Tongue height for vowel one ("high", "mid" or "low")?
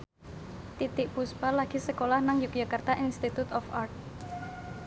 high